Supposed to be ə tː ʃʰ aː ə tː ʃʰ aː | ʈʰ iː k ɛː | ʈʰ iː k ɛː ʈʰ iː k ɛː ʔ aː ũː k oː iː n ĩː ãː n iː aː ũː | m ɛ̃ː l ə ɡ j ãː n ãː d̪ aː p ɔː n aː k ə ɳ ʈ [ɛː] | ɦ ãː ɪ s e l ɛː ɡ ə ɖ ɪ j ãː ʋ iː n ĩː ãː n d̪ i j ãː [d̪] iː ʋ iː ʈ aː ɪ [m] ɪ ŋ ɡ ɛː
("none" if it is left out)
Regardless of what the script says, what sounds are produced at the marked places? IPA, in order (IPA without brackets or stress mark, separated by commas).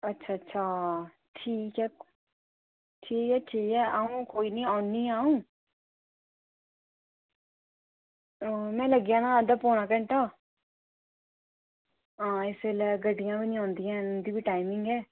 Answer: aː, d̪, m